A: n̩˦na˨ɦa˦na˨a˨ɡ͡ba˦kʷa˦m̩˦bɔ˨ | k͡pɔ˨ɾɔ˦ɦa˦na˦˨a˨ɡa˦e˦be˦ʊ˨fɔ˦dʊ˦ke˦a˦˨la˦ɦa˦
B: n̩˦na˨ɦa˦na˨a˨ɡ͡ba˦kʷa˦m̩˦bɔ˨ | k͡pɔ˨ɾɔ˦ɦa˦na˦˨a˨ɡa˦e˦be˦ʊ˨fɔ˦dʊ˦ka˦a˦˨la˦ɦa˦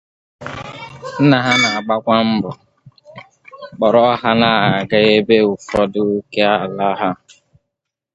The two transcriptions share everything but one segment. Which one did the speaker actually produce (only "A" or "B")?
A